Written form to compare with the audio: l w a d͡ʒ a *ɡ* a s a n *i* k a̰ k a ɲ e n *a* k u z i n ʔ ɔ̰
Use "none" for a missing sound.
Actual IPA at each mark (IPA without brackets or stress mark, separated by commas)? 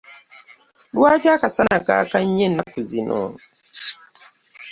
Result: k, a, a